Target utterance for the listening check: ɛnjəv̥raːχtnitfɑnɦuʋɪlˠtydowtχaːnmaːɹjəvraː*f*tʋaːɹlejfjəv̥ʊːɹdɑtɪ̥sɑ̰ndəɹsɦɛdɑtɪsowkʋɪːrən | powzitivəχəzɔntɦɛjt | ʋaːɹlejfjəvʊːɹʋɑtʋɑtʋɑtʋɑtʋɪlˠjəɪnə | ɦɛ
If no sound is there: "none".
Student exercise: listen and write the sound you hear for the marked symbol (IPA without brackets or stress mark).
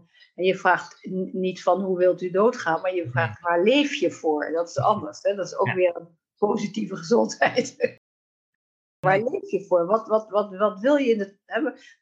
χ